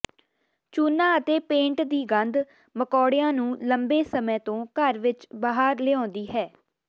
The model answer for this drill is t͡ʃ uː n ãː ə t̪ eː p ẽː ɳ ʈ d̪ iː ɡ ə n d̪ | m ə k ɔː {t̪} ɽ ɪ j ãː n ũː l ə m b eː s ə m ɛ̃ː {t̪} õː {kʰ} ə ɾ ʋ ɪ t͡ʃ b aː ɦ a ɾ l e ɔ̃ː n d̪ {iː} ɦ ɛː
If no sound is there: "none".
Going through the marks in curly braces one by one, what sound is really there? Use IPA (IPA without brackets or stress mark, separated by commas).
none, t̪, k, iː